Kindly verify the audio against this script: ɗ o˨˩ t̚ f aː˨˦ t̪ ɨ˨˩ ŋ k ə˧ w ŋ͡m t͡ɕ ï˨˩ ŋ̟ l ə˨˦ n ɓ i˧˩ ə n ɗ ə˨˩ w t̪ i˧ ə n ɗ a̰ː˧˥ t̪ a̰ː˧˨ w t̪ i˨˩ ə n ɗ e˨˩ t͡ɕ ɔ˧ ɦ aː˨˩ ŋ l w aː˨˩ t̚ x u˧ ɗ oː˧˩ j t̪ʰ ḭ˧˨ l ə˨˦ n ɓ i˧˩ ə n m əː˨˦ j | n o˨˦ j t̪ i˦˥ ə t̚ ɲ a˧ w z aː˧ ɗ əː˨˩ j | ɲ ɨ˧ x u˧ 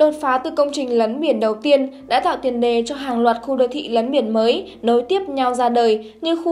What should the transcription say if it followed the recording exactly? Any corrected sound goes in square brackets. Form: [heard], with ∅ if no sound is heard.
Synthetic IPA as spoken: ɗ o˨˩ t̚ f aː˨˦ t̪ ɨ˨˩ [∅] k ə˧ w ŋ͡m t͡ɕ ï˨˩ ŋ̟ l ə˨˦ n ɓ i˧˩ ə n ɗ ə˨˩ w t̪ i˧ ə n ɗ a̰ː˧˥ t̪ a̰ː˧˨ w t̪ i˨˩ ə n ɗ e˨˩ t͡ɕ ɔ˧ ɦ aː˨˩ ŋ l w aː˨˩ t̚ x u˧ ɗ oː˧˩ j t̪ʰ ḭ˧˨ l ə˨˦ n ɓ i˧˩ ə n m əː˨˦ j | n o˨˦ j t̪ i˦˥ ə [p̚] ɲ a˧ w z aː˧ ɗ əː˨˩ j | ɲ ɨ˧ x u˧